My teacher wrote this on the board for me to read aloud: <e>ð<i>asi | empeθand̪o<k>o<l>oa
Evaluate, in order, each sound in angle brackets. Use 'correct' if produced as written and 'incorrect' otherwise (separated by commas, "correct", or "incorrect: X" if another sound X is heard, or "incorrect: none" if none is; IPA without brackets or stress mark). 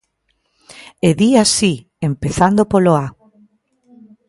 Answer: correct, correct, incorrect: p, correct